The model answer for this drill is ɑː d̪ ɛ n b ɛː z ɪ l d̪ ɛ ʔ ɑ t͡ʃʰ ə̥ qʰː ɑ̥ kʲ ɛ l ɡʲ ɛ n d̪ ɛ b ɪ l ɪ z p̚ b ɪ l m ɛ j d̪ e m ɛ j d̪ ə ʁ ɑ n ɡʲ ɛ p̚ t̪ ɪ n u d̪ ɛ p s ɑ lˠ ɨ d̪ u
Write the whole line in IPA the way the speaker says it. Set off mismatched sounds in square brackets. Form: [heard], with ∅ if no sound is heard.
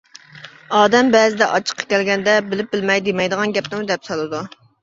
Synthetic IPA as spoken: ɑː d̪ ɛ [m] b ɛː z ɪ [∅] d̪ ɛ ʔ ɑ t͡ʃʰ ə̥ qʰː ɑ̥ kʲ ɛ l ɡʲ ɛ n d̪ ɛ b ɪ l ɪ [∅] p̚ b ɪ l m ɛ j d̪ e m ɛ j d̪ ə ʁ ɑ n ɡʲ ɛ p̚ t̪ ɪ [m] u d̪ ɛ p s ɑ lˠ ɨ d̪ u

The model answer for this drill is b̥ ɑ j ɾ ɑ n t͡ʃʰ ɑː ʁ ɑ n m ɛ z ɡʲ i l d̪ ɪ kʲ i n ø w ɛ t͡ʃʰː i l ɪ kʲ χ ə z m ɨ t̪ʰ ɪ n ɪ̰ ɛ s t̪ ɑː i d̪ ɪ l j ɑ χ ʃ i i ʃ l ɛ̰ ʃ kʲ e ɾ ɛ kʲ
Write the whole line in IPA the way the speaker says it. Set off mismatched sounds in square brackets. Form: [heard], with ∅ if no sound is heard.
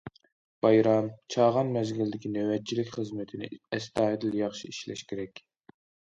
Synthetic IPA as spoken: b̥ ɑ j ɾ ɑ [m] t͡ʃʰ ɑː ʁ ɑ n m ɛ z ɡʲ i l d̪ ɪ kʲ i n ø w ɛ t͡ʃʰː i l ɪ kʲ χ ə z m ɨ t̪ʰ ɪ n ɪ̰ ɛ s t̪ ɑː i d̪ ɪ l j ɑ χ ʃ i i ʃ l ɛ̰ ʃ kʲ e ɾ ɛ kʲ

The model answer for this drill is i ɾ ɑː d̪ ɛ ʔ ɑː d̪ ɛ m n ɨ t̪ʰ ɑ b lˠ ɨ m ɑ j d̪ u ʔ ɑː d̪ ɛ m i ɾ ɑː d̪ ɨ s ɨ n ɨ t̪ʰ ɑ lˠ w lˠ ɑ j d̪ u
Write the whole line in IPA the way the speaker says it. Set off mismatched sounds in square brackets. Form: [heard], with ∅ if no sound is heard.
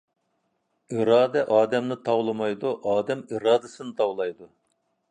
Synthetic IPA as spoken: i ɾ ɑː d̪ ɛ ʔ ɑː d̪ ɛ m n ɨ t̪ʰ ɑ [w] lˠ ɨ m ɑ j d̪ u ʔ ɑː d̪ ɛ m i ɾ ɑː d̪ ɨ s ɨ n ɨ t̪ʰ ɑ [∅] w lˠ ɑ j d̪ u

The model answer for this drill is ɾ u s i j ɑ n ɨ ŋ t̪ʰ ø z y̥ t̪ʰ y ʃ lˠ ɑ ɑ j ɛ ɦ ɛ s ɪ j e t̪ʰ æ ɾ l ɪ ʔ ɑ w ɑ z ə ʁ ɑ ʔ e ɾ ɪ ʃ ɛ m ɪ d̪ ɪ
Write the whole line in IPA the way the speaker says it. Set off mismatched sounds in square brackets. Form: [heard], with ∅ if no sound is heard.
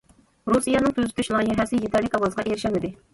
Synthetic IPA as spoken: ɾ u s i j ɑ n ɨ ŋ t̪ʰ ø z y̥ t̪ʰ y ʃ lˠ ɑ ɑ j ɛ ɦ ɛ s ɪ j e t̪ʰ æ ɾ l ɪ [k] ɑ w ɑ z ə ʁ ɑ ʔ e ɾ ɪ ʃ ɛ m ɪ d̪ ɪ

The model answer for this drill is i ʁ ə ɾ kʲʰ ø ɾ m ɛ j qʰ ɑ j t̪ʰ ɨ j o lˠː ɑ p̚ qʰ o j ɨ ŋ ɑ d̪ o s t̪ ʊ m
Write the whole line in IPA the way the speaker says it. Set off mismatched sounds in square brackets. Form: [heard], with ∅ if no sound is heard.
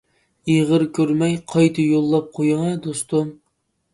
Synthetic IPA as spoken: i ʁ ə ɾ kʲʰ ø ɾ m ɛ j qʰ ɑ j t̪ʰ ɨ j o lˠː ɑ p̚ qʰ o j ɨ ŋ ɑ d̪ o s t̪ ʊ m

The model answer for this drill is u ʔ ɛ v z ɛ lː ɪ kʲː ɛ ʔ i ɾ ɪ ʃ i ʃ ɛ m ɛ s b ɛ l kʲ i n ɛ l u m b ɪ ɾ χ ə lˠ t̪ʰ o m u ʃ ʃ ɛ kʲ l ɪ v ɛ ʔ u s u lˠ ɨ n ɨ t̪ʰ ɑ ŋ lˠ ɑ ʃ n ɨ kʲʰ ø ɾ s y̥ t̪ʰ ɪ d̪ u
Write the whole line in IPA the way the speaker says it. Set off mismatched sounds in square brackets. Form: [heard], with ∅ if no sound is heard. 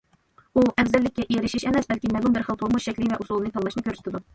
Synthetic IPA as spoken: u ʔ ɛ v z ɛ lː ɪ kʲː ɛ ʔ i ɾ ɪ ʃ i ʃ ɛ m ɛ s b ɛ l kʲ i [m] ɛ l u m b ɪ ɾ χ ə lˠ t̪ʰ o m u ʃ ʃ ɛ kʲ l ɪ v ɛ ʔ u s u lˠ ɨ n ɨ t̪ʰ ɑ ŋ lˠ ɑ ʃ n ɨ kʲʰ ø ɾ s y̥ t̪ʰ ɪ d̪ u

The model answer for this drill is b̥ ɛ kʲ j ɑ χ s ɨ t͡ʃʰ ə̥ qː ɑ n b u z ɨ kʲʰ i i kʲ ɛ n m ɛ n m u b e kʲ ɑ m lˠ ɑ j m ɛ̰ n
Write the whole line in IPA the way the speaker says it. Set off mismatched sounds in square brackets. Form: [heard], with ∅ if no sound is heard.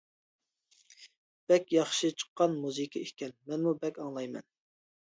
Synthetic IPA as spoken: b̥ ɛ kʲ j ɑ χ [ʃ] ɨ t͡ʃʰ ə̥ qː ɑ n [m] u z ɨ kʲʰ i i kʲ ɛ n m ɛ n m u b [ɛ] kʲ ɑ [ŋ] lˠ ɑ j m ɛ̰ n

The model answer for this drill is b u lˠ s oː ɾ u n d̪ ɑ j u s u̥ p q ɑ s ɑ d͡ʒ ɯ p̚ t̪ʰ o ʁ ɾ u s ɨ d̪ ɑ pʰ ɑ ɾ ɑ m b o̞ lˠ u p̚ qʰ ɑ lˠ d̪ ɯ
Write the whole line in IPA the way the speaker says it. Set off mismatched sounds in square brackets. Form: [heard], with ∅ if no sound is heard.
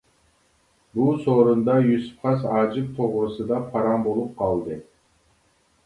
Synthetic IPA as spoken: b u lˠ s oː ɾ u n d̪ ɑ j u s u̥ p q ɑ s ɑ d͡ʒ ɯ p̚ t̪ʰ o ʁ ɾ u s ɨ d̪ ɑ pʰ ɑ ɾ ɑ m b o̞ lˠ u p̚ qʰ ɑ lˠ d̪ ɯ

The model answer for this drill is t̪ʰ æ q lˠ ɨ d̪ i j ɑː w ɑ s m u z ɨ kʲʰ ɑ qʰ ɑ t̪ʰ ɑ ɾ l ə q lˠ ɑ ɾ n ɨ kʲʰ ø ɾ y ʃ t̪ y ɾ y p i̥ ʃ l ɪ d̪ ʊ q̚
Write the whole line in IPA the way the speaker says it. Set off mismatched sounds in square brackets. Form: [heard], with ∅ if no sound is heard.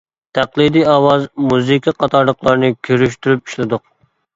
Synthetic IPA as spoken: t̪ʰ æ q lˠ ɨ d̪ i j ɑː w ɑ [z] m u z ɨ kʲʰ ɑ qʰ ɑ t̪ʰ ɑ ɾ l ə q lˠ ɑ ɾ n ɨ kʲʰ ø ɾ y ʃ t̪ y ɾ y p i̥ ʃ l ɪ d̪ ʊ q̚

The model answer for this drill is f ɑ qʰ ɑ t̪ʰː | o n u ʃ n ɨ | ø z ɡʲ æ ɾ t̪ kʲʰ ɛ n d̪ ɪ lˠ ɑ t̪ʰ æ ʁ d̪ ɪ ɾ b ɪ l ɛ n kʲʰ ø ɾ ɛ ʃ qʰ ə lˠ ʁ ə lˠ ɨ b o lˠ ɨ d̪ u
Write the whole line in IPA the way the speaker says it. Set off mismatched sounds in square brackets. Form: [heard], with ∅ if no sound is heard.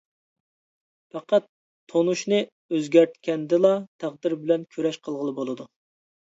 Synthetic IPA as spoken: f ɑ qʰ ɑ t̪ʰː | o n u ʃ n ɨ | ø z ɡʲ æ ɾ t̪ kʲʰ ɛ n d̪ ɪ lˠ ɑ t̪ʰ æ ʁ d̪ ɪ ɾ b ɪ l ɛ n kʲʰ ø ɾ ɛ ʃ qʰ ə lˠ ʁ ə lˠ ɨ b o lˠ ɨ d̪ u

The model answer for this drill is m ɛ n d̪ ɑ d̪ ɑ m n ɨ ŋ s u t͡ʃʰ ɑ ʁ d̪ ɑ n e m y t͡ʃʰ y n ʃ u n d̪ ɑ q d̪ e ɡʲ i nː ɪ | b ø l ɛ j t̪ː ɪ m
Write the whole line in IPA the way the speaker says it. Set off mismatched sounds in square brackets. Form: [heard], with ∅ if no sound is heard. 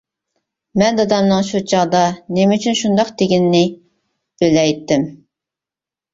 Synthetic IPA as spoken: m ɛ n d̪ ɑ d̪ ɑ m n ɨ ŋ [ʃ] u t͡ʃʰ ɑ ʁ d̪ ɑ n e m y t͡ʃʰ y n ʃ u n d̪ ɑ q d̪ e ɡʲ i nː ɪ | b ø l ɛ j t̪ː ɪ m

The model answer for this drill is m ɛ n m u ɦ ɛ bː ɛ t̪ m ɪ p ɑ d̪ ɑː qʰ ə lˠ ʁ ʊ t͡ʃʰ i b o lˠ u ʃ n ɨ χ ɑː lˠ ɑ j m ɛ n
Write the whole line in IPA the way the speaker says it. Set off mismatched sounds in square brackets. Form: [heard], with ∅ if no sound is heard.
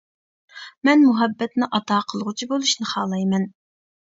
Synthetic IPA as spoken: m ɛ n m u ɦ ɛ bː ɛ t̪ [n] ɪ [ʔ] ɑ [t̪] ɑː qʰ ə lˠ ʁ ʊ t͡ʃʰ i b o lˠ u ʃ n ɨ χ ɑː lˠ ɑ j m ɛ n

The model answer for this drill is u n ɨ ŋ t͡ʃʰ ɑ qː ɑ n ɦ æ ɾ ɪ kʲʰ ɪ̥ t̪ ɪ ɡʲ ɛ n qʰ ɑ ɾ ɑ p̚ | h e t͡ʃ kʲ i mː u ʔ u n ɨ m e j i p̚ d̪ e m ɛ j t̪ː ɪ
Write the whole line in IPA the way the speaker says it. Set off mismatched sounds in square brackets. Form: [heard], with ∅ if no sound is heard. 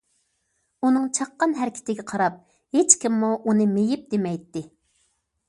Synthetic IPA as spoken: u n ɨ ŋ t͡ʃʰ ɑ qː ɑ n ɦ æ ɾ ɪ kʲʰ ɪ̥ t̪ ɪ ɡʲ ɛ [∅] qʰ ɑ ɾ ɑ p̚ | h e t͡ʃ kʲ i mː u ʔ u n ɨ m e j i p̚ d̪ e m ɛ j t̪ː ɪ

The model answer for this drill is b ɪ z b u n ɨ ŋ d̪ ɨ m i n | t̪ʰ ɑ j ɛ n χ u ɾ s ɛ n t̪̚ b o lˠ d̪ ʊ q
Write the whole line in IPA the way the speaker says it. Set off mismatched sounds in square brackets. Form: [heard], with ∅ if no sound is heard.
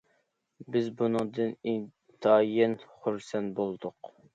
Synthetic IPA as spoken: b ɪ z b u n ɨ ŋ d̪ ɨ [n] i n | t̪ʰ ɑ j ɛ n χ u ɾ s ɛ n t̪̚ b o lˠ d̪ ʊ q

